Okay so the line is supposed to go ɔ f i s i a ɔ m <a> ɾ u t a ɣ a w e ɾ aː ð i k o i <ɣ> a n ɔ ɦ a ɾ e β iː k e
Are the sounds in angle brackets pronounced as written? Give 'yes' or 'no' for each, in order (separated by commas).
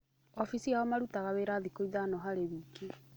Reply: yes, no